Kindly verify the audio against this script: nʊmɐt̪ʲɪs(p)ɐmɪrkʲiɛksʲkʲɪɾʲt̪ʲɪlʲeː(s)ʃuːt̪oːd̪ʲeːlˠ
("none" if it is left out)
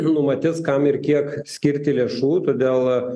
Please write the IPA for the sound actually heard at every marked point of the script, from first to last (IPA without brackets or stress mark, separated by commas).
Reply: k, none